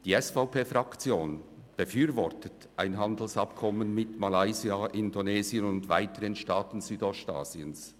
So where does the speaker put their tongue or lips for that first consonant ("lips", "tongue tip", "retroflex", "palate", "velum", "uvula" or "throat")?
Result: tongue tip